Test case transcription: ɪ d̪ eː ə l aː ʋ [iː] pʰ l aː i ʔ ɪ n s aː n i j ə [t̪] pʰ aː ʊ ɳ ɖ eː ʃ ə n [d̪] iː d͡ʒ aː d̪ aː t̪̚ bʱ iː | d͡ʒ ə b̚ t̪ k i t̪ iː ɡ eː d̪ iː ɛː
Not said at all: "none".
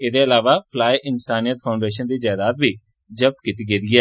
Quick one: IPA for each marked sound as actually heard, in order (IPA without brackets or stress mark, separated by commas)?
aː, t̪, d̪